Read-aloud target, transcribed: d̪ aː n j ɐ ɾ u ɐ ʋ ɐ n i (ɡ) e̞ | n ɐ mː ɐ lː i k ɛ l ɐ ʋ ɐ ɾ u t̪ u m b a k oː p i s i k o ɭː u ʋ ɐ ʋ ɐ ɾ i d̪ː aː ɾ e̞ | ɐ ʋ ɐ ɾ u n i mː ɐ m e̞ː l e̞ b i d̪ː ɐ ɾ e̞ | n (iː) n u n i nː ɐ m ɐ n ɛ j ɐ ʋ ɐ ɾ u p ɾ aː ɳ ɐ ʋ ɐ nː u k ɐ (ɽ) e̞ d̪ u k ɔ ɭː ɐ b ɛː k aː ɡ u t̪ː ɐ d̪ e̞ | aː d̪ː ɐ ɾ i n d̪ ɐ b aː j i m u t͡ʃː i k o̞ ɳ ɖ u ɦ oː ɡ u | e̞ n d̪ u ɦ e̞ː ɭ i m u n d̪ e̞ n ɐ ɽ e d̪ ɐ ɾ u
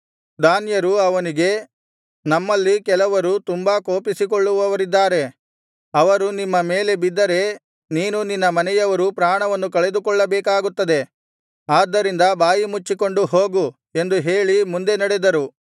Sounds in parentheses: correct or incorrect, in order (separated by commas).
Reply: correct, correct, incorrect